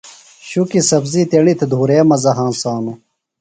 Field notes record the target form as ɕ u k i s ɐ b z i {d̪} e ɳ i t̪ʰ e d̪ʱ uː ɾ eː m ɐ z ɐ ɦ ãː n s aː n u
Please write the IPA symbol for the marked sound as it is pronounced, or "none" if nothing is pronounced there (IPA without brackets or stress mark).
t̪